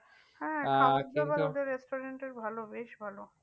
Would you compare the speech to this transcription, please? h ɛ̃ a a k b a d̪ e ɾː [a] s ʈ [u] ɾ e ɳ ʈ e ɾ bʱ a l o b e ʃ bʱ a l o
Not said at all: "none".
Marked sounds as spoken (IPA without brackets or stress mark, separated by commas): e, o